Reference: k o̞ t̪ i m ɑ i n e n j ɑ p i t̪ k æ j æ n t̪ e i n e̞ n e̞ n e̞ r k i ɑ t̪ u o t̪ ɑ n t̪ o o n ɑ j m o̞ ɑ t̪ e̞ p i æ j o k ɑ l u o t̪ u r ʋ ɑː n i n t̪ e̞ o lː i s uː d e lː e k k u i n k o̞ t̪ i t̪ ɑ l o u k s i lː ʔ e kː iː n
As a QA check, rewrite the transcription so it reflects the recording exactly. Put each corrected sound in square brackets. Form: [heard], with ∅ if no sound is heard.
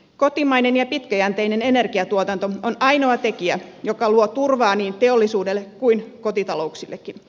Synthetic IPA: k o̞ t̪ i m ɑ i n e n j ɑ p i t̪ k æ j æ n t̪ e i n e̞ n e̞ n e̞ r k i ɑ t̪ u o t̪ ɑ n t̪ o o n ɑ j [n] o̞ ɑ t̪ e̞ [k] i æ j o k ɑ l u o t̪ u r ʋ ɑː n [iː] n t̪ e̞ o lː i s uː d e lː e k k u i n k o̞ t̪ i t̪ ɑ l o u k s i lː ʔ e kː [i] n